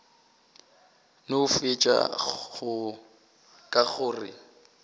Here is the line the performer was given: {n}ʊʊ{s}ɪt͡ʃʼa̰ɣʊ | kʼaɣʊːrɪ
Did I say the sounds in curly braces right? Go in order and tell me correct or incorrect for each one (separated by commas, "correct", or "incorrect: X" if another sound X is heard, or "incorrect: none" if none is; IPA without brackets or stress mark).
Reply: correct, incorrect: f